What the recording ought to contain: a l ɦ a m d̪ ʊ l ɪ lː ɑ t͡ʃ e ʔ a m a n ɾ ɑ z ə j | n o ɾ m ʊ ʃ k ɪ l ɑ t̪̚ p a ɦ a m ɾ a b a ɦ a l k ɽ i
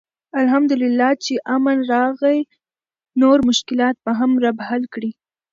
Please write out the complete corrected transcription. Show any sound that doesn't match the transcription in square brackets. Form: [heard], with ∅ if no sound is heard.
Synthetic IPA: a l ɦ a m d̪ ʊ l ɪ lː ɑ t͡ʃ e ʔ a m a n ɾ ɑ [ɣ] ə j | n o ɾ m ʊ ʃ k ɪ l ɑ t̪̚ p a ɦ a m ɾ a b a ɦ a l k ɽ i